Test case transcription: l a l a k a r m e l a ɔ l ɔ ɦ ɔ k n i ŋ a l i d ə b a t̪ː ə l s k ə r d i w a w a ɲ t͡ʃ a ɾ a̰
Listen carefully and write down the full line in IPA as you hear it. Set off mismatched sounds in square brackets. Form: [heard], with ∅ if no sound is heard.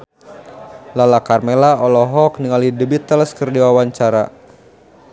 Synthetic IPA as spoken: l a l a k a r m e l a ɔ l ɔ ɦ ɔ k n i ŋ a l i d ə b [i] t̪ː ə l s k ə r d i w a w a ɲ t͡ʃ a ɾ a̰